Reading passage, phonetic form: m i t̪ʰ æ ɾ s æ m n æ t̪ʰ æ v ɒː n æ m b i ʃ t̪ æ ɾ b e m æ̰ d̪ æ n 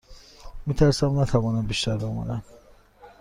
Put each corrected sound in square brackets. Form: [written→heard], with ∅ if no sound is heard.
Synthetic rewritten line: m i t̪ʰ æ ɾ s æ m n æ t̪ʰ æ v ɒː n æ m b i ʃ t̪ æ ɾ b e m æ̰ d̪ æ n